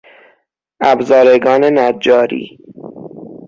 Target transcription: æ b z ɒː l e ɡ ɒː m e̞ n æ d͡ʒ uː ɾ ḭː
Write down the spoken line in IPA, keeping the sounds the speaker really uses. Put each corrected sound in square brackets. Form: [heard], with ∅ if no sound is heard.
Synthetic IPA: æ b z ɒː [ɾ] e ɡ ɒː [n] e̞ n æ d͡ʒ [ɒː] ɾ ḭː